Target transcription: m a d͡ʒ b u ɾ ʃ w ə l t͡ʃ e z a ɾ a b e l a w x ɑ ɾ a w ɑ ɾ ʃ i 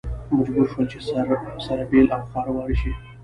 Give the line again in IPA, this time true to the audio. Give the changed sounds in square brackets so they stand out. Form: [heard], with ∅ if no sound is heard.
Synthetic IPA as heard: m a d͡ʒ b u ɾ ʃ w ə l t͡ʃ e [s] a ɾ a b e l a w x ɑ ɾ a w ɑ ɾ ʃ i